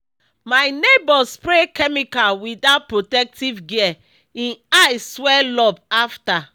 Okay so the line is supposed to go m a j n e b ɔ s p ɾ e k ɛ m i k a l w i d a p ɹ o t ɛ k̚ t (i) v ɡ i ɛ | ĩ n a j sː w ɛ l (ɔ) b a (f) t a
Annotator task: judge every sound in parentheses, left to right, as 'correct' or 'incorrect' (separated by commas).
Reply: correct, correct, correct